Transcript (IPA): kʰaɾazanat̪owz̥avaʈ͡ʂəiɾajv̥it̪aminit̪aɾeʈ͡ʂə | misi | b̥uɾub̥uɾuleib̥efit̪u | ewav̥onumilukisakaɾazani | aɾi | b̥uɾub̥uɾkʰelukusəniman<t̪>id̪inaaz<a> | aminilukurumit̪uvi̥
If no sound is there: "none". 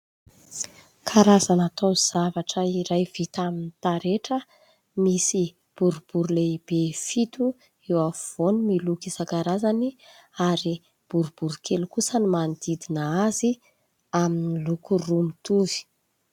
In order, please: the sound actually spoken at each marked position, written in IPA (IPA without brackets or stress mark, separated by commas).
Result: d̪, i